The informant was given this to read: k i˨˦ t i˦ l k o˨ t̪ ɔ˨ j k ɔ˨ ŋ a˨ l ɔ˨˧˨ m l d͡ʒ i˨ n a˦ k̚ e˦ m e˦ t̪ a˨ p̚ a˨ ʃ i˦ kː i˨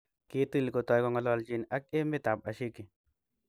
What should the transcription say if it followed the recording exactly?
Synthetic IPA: k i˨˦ t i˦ l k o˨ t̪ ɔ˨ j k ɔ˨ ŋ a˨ l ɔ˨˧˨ l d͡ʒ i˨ n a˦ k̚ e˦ m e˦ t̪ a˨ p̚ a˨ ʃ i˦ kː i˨